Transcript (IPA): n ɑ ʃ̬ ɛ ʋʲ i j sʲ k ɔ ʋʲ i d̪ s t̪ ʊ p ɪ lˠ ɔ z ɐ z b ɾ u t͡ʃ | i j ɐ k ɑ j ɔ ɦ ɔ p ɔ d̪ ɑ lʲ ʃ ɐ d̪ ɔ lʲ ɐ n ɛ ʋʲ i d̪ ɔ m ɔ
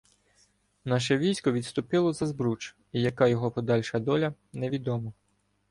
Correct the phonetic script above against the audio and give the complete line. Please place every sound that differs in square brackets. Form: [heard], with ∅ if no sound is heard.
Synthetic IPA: n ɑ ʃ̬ ɛ ʋʲ i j sʲ k ɔ ʋʲ i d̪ s t̪ ʊ p ɪ lˠ ɔ z ɐ z b ɾ u t͡ʃ | i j ɐ k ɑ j ɔ ɦ ɔ p ɔ d̪ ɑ lʲ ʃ ɐ d̪ ɔ lʲ ɐ n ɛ ʋʲ i d̪ ɔ m ɔ